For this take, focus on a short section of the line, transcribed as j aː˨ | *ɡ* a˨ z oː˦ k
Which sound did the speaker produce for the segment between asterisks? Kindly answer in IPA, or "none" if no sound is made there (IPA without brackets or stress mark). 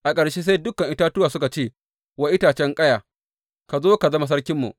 k